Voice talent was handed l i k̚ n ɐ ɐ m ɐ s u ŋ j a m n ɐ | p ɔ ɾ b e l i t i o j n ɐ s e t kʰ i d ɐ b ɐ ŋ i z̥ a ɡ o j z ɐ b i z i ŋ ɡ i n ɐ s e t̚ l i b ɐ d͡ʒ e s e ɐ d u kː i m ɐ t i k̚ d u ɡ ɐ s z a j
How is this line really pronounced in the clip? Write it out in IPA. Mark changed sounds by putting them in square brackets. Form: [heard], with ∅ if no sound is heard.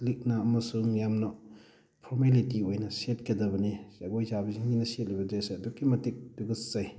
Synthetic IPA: l i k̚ n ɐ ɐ m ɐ s u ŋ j a m n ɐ | [pʰ] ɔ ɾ [m] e l i t i o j n ɐ s e t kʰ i d ɐ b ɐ [n] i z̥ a ɡ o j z [a] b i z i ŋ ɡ i n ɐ s e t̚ l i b ɐ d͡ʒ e s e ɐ d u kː i m ɐ t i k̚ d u ɡ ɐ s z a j